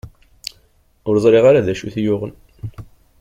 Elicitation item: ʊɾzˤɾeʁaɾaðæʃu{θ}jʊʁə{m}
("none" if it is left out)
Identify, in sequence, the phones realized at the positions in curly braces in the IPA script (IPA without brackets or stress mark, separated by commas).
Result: θ, n